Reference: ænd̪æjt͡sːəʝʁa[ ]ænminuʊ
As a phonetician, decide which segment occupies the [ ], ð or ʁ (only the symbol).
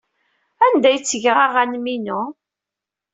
ʁ